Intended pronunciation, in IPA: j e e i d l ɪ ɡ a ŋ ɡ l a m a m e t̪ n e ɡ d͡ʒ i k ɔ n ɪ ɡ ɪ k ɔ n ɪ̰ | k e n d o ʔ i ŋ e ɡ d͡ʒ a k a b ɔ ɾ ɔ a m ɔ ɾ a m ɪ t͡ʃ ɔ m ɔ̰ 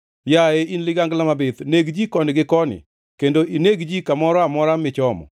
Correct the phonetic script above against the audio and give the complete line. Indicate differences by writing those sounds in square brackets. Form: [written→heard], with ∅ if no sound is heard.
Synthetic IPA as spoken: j [e→a] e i [d→n] l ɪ ɡ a ŋ ɡ l a m a [m→b] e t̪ n e ɡ d͡ʒ i k ɔ n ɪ ɡ ɪ k ɔ n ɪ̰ | k e n d o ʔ i [ŋ→n] e ɡ d͡ʒ [a→i] k a [b→m] ɔ ɾ ɔ a m ɔ ɾ a m ɪ t͡ʃ ɔ m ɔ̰

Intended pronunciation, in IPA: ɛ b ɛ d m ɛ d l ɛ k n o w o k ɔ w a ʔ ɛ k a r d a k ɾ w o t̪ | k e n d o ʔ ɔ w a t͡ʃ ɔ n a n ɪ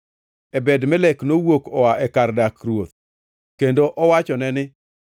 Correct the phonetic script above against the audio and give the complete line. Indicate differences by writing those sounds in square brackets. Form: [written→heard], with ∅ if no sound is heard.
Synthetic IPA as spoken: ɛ b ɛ d m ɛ [d→∅] l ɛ k n o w o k ɔ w a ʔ ɛ k a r d a k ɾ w o t̪ | k e n d o ʔ ɔ w a t͡ʃ ɔ n [a→ɛ] n ɪ

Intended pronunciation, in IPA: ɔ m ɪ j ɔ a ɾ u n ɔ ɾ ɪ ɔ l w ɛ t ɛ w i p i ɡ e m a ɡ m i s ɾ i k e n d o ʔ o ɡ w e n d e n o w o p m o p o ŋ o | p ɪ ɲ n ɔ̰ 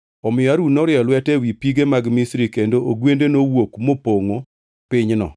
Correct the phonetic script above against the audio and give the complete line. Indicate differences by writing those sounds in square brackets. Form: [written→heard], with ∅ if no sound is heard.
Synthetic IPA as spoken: ɔ m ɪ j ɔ a ɾ u n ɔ ɾ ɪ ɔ l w ɛ t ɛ w i p i ɡ e m a ɡ m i s ɾ i k e n d o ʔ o ɡ w e n d e n o w o [p→k] m o p o ŋ o | p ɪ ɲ n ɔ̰

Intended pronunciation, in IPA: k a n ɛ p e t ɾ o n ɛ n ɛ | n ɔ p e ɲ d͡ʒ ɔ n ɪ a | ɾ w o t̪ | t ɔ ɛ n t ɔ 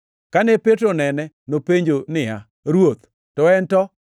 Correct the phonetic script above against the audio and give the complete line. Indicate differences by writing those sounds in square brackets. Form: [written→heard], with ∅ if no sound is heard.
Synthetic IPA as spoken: k a n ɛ p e t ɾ o n ɛ n ɛ | n [ɔ→o] p e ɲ d͡ʒ [ɔ→o] n ɪ a | ɾ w o t̪ | t ɔ ɛ n t ɔ

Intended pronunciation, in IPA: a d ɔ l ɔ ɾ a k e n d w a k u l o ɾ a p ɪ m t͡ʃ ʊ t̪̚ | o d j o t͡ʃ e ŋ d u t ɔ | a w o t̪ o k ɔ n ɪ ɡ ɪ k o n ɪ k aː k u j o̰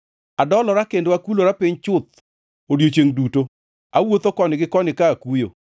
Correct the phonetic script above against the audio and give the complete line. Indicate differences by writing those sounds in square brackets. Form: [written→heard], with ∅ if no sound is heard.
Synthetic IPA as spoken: a d ɔ l ɔ ɾ a k e n d w a k u l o ɾ a p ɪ [m→ɲ] t͡ʃ ʊ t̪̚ | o d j o t͡ʃ e ŋ d u t [ɔ→o] | a w o t̪ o k ɔ n ɪ ɡ ɪ k [o→ɔ] n ɪ k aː k u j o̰

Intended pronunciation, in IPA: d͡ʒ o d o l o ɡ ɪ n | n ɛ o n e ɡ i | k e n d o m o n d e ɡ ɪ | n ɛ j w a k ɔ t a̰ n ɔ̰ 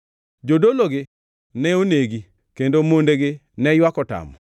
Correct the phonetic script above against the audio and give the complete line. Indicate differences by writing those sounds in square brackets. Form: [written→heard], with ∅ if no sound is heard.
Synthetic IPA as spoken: d͡ʒ o d o l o ɡ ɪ [n→∅] | n ɛ o n e ɡ i | k e n d o m o n d e ɡ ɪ | n ɛ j w a k ɔ t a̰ [n→m] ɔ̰

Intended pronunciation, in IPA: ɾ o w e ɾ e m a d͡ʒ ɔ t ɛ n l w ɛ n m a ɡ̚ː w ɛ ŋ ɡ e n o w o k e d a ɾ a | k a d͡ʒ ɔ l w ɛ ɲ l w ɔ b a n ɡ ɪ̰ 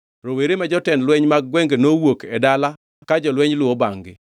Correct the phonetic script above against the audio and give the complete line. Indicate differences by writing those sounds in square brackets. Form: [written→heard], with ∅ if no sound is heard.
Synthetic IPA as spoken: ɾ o w e ɾ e m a d͡ʒ ɔ t ɛ n l w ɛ [n→ɲ] m a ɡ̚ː w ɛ ŋ ɡ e n o w o k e d a [ɾ→l] a | k a d͡ʒ ɔ l w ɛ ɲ l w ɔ b a [n→ŋ] ɡ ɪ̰

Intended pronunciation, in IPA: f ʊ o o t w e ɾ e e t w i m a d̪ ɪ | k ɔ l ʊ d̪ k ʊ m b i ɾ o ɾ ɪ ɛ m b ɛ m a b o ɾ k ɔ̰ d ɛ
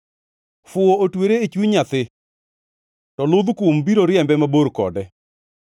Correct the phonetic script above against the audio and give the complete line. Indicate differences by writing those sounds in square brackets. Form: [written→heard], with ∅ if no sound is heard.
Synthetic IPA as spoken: f ʊ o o t w e ɾ e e [t→t͡ʃ] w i [m→ɲ] a [d̪→t̪] ɪ | [k→t] ɔ l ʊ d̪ k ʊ m b i ɾ o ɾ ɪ ɛ m b ɛ m a b o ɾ k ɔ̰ d ɛ

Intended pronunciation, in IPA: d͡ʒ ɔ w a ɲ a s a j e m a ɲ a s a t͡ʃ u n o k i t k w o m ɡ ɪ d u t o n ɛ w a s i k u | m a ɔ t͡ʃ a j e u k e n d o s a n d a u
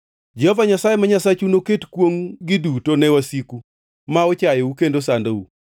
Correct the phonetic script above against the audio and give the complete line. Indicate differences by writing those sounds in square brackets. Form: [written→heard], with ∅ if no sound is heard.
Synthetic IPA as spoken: d͡ʒ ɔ [w→v] a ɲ a s a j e m a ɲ a s a t͡ʃ u n o k [i→e] t k w o [m→ŋ] ɡ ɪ d u t o n ɛ w a s i k u | m a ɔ t͡ʃ a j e u k e n d o s a n d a u

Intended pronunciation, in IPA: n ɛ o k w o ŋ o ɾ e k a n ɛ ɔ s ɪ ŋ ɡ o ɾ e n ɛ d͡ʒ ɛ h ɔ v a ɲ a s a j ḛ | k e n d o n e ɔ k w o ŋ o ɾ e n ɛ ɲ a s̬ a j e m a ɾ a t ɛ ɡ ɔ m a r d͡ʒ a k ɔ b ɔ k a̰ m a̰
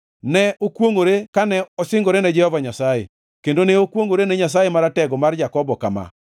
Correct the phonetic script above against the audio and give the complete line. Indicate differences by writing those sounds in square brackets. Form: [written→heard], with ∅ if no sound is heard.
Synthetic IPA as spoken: n ɛ o k w o ŋ o ɾ e k a n ɛ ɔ s ɪ ŋ ɡ o ɾ e n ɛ d͡ʒ ɛ h ɔ v a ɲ a s a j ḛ | k e n d o n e [ɔ→o] k w o ŋ o ɾ e n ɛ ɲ a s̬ a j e m a ɾ a t ɛ ɡ ɔ m a r d͡ʒ a k ɔ b ɔ k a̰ m a̰

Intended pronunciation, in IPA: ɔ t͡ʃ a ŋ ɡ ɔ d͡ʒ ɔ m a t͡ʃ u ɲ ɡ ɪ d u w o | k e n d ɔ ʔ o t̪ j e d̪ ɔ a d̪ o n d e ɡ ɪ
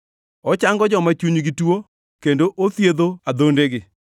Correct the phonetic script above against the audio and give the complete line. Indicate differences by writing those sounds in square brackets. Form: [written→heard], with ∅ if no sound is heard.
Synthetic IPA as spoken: ɔ t͡ʃ a ŋ ɡ ɔ d͡ʒ ɔ m a t͡ʃ u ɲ ɡ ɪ [d→t] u w o | k e n d [ɔ→o] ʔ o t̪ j e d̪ [ɔ→o] a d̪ o n d e ɡ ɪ

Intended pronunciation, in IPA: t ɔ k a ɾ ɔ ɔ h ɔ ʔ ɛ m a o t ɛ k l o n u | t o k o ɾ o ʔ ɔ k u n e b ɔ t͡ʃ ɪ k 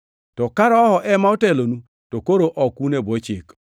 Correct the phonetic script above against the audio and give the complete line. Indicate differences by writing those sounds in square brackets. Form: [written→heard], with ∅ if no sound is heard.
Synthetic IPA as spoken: t ɔ k a ɾ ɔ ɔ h ɔ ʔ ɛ m a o t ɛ [k→∅] l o n u | t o k o ɾ o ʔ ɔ k u n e b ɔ t͡ʃ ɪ k

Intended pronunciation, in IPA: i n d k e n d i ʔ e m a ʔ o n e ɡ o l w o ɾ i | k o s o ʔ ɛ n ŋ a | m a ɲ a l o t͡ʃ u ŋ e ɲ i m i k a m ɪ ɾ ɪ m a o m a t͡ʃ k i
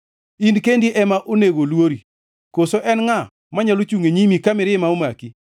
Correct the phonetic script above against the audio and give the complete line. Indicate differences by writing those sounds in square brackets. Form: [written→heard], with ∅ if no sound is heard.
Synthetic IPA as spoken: i n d k e n d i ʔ [e→ɛ] m a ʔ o n e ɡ o l w o ɾ i | k o s o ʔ ɛ n ŋ a | m a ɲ a l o t͡ʃ u ŋ e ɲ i m i k a m ɪ ɾ ɪ m a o m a [t͡ʃ→∅] k i

